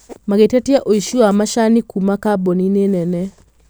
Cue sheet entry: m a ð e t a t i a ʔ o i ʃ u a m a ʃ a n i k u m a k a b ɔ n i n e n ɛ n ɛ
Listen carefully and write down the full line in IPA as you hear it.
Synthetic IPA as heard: m a ɣ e t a t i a ʔ o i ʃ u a m a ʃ a n i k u m a k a b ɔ n i n e n ɛ n ɛ